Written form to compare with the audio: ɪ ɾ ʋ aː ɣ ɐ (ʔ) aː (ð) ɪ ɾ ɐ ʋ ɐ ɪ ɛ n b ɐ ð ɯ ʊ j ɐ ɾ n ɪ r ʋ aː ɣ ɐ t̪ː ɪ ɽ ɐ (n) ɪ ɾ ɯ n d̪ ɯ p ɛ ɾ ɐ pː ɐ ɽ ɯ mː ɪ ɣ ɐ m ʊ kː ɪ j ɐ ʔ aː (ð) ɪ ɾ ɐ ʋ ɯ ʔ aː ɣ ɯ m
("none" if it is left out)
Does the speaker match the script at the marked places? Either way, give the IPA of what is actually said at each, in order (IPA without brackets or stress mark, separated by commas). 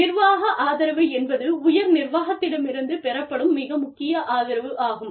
ʔ, ð, m, ð